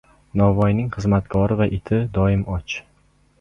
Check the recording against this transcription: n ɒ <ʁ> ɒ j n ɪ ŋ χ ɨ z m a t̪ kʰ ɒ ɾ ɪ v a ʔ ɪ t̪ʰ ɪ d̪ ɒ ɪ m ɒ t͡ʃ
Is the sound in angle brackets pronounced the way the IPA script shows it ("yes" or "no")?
no